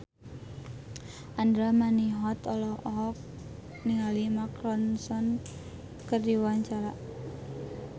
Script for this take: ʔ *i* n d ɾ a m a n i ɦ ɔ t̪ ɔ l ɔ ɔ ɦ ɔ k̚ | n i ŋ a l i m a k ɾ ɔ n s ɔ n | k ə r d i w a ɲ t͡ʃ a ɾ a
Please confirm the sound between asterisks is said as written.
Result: no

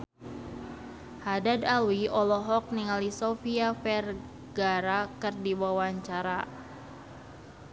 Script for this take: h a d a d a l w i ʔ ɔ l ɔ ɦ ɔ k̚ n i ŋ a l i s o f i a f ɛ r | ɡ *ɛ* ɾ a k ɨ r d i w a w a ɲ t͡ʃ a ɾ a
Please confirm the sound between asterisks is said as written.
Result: no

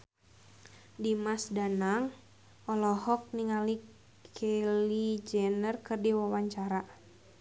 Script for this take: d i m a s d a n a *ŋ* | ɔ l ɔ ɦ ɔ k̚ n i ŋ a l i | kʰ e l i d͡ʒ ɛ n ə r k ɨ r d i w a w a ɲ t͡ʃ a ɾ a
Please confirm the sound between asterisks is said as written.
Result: yes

